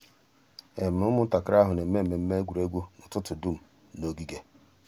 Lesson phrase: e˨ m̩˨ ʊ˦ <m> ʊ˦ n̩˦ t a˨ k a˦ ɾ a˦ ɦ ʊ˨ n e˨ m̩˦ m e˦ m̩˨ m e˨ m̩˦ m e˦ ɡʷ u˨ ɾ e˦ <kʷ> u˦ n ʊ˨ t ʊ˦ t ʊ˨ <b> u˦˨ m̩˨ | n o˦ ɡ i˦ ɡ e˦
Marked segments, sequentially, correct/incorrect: correct, incorrect, incorrect

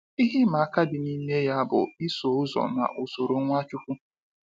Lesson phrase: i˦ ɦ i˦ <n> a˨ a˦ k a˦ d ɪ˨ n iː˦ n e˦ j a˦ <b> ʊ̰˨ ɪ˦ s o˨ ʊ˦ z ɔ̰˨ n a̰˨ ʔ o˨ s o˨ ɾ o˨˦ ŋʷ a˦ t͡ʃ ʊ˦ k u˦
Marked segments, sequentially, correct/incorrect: incorrect, correct

